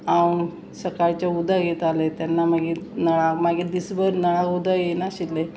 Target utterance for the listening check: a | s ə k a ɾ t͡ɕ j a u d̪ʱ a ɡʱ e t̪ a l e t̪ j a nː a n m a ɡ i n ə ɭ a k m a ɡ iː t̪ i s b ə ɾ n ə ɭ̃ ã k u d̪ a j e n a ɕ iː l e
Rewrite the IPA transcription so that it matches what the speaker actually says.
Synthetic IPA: a | s ə k a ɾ t͡ɕ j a u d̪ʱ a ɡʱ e t̪ a l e t̪ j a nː a m a ɡ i n ə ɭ a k m a ɡ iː d̪ i s b ə ɾ n ə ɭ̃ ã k u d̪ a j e n a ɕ i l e